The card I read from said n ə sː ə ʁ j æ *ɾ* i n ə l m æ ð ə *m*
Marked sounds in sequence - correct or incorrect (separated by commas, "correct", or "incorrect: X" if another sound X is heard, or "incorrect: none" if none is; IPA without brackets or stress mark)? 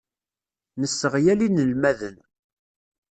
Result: incorrect: l, incorrect: n